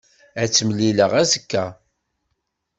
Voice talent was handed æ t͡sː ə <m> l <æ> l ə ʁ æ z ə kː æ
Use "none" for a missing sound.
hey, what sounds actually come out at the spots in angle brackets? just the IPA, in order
m, i

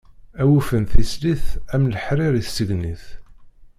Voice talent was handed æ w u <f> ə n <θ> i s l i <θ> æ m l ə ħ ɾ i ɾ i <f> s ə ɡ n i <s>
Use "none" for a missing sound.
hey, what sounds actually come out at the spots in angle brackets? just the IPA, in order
f, θ, θ, θ, θ

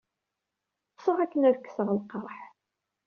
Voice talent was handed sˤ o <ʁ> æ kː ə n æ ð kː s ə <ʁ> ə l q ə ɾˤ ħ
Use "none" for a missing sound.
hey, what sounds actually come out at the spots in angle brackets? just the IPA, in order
ʁ, ʁ

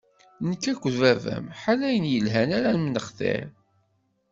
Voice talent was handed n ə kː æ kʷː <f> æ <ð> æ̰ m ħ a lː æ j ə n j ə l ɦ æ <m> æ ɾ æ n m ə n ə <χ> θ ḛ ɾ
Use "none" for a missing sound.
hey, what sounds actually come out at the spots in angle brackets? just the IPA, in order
v, v, n, χ

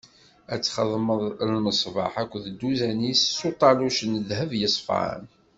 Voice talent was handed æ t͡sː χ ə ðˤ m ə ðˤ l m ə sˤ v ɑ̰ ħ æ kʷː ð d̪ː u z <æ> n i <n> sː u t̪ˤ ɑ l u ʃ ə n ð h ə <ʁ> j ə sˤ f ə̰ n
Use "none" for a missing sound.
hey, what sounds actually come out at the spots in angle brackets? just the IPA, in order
æ, none, v

